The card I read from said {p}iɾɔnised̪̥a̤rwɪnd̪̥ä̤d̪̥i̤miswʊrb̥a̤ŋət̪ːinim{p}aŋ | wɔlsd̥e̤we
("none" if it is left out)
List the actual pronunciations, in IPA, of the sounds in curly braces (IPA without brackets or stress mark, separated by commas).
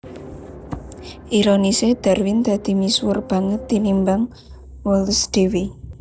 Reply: ʔ, b